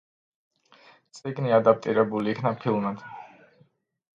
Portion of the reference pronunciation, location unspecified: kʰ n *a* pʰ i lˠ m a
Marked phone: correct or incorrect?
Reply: correct